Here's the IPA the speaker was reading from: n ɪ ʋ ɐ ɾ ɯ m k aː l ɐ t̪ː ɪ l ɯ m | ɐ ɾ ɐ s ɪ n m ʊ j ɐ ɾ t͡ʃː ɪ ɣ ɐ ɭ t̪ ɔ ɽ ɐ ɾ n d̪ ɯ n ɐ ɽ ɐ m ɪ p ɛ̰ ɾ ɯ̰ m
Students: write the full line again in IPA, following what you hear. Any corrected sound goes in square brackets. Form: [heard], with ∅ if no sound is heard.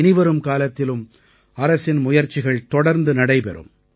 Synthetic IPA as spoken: n ɪ ʋ ɐ ɾ ɯ m k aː l ɐ t̪ː ɪ l ɯ m | ɐ ɾ ɐ s ɪ n m ʊ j ɐ ɾ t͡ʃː ɪ ɣ ɐ ɭ t̪ ɔ ɽ ɐ ɾ n d̪ ɯ n ɐ ɽ ɐ [∅] ɪ p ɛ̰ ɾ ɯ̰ m

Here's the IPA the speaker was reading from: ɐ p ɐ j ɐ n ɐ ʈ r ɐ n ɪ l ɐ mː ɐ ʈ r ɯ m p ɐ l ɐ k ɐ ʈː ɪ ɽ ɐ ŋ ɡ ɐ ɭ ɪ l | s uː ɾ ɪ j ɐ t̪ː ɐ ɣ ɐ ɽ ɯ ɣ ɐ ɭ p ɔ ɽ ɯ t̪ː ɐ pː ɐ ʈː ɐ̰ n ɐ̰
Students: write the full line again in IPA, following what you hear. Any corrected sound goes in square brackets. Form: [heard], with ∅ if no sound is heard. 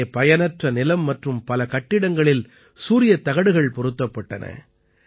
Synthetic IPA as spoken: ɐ p ɐ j ɐ n ɐ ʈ r ɐ n ɪ l ɐ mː ɐ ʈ r ɯ m p ɐ l ɐ k ɐ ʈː ɪ ɽ ɐ ŋ ɡ ɐ ɭ ɪ l | s uː ɾ ɪ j ɐ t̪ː ɐ ɣ ɐ ɽ ɯ ɣ ɐ ɭ p ɔ [ɾ] ɯ t̪ː ɐ pː ɐ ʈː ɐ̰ n ɐ̰

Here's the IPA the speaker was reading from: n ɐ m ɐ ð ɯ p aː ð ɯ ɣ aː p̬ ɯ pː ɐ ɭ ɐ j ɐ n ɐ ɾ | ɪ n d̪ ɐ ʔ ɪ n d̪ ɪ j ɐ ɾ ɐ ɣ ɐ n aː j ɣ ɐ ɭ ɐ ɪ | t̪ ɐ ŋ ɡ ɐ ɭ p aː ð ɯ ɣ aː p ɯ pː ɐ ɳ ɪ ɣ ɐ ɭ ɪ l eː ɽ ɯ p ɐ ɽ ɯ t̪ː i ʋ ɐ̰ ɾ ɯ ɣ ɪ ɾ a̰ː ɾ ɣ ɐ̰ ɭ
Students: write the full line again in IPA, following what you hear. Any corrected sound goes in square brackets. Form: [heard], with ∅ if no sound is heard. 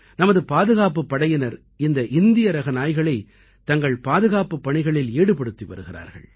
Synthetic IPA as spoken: n ɐ m ɐ ð ɯ p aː ð ɯ ɣ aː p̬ ɯ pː ɐ [ɽ] ɐ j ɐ n ɐ ɾ | ɪ n d̪ ɐ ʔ ɪ n d̪ ɪ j ɐ ɾ ɐ ɣ ɐ n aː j ɣ ɐ ɭ ɐ ɪ | t̪ ɐ ŋ ɡ ɐ ɭ p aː ð ɯ ɣ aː p ɯ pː ɐ ɳ ɪ ɣ ɐ ɭ ɪ l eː ɽ ɯ p ɐ ɽ ɯ t̪ː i ʋ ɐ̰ ɾ ɯ ɣ ɪ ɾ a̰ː ɾ ɣ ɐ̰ ɭ

